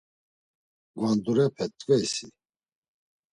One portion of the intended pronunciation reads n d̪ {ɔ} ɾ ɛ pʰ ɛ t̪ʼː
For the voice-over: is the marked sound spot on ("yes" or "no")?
no